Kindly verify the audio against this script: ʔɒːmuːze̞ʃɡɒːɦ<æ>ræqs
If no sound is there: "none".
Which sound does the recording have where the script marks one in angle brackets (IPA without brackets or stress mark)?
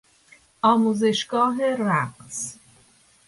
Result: e